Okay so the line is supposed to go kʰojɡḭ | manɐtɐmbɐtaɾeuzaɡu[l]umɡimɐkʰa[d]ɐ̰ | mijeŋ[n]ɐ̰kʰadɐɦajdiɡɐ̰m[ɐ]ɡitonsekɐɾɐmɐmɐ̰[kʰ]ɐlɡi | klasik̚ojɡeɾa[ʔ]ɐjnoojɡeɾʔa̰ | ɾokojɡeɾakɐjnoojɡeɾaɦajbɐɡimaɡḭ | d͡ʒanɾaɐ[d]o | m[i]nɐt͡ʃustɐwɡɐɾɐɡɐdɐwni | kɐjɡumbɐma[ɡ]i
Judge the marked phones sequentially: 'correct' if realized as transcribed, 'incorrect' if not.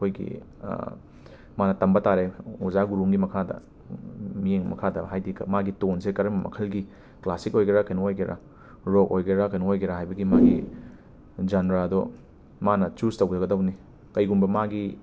incorrect: ɾ, correct, incorrect: m, incorrect: a, correct, incorrect: k, correct, incorrect: a, correct

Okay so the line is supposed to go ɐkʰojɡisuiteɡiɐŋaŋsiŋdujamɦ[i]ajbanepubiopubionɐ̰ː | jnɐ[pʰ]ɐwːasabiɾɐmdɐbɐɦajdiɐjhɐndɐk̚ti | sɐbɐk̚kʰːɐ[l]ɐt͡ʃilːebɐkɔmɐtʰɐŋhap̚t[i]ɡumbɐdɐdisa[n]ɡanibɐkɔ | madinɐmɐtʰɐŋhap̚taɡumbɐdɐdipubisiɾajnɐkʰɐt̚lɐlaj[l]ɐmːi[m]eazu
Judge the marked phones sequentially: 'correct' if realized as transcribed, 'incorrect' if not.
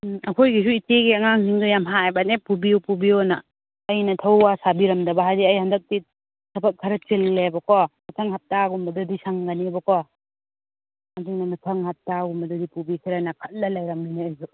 incorrect: a, incorrect: tʰ, incorrect: ɾ, incorrect: a, incorrect: ŋ, incorrect: ɾ, incorrect: n

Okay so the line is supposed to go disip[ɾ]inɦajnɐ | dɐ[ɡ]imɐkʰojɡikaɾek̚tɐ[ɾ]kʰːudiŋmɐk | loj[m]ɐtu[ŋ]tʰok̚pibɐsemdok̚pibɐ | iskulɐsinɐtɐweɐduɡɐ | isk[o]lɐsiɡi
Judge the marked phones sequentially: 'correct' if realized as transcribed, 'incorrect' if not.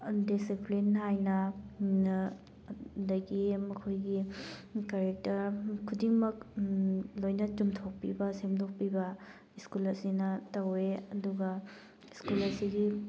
incorrect: l, correct, correct, incorrect: n, incorrect: m, incorrect: u

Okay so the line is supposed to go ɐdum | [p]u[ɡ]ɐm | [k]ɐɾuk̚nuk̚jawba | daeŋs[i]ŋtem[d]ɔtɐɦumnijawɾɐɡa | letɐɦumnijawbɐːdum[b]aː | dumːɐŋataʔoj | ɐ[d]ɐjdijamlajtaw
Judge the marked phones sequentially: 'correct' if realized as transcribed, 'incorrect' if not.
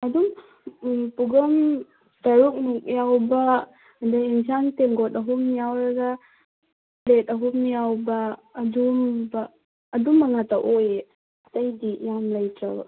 correct, correct, incorrect: t, incorrect: a, incorrect: ɡ, correct, incorrect: t

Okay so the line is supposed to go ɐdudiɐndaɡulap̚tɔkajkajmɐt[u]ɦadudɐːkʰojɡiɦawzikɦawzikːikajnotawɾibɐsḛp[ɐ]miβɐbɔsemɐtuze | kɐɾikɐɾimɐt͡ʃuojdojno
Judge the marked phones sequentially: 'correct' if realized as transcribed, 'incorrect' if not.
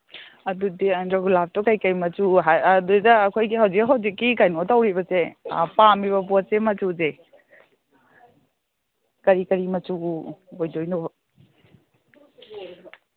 correct, incorrect: a

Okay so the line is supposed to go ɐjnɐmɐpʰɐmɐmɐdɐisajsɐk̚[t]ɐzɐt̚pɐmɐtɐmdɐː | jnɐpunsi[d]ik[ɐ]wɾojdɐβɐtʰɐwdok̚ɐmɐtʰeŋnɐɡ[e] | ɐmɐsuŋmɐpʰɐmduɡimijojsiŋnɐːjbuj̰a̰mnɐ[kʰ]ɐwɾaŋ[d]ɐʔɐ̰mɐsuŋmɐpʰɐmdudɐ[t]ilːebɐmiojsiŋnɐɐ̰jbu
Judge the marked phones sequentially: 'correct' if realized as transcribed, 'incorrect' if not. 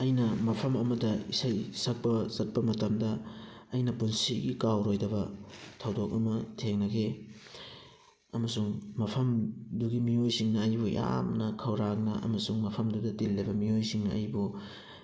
incorrect: p, incorrect: ɡ, incorrect: a, correct, correct, incorrect: n, correct

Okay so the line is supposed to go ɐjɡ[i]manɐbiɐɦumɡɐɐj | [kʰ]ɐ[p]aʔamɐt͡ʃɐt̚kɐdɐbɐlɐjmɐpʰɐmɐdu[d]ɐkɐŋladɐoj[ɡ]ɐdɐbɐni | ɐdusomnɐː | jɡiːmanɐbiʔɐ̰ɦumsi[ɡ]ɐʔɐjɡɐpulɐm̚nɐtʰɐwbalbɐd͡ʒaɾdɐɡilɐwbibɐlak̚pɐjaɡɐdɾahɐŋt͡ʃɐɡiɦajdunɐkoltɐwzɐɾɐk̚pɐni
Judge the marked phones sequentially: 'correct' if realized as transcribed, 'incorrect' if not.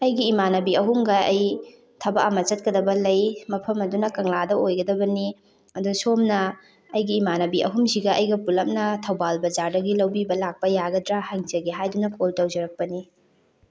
incorrect: iː, incorrect: tʰ, incorrect: b, incorrect: n, correct, correct

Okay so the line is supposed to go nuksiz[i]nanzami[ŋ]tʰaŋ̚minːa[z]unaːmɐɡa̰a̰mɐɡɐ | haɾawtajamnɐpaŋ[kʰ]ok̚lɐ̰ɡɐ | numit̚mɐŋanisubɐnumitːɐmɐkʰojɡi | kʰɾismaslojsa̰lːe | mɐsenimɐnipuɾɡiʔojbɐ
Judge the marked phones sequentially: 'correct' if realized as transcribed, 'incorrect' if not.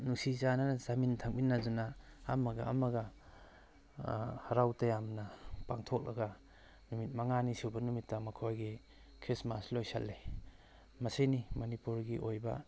incorrect: a, incorrect: n, correct, incorrect: tʰ

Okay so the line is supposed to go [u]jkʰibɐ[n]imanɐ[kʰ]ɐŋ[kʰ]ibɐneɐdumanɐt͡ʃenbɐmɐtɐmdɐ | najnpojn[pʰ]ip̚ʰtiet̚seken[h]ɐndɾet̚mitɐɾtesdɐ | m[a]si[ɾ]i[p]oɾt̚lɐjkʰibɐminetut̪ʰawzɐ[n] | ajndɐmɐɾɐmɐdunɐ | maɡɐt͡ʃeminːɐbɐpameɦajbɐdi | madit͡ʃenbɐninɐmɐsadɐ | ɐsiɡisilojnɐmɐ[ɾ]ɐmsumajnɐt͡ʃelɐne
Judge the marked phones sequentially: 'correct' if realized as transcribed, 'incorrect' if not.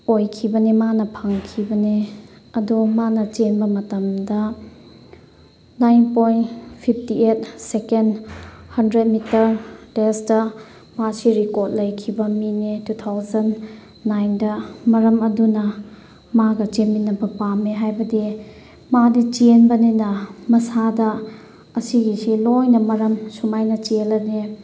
incorrect: o, correct, incorrect: pʰ, correct, correct, correct, correct, correct, incorrect: k, incorrect: nː, correct

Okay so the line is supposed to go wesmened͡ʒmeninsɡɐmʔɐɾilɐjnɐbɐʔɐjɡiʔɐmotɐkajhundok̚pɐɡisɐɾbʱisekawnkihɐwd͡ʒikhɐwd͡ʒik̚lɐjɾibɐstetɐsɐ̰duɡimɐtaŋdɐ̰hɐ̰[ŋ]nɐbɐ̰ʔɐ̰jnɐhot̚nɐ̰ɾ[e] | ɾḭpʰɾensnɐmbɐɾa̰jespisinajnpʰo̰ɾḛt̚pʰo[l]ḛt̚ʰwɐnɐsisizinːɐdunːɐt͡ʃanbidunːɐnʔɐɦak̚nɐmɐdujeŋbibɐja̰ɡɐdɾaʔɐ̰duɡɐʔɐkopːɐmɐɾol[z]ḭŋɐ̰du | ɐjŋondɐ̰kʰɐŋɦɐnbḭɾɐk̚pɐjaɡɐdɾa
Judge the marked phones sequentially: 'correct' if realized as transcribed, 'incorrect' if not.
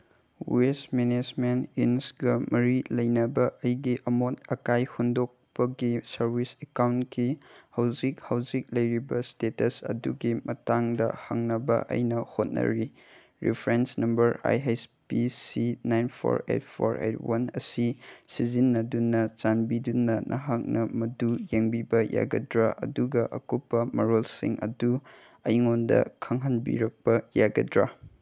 correct, incorrect: i, incorrect: ɾ, incorrect: s

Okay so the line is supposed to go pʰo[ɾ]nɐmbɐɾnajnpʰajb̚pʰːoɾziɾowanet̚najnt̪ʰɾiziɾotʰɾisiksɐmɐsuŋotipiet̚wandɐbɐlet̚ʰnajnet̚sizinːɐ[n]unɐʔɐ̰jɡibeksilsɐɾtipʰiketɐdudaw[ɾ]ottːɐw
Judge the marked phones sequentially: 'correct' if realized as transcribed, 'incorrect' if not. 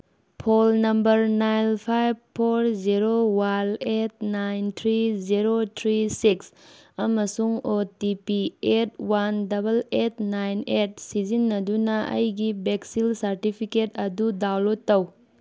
incorrect: l, incorrect: d, incorrect: l

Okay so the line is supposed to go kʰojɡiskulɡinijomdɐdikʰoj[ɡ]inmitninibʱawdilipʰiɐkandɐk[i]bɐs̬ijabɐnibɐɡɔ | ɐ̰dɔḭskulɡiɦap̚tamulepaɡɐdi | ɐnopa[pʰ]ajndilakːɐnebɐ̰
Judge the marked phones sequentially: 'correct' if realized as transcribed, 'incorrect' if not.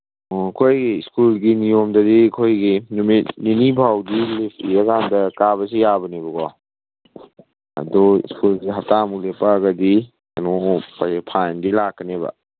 correct, incorrect: a, correct

